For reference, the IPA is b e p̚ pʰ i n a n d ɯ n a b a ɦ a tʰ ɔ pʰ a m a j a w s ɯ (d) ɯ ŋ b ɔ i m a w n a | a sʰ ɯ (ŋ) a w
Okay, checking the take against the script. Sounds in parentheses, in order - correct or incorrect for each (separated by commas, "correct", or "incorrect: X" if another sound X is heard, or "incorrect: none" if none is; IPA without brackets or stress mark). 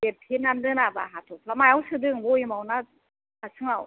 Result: correct, correct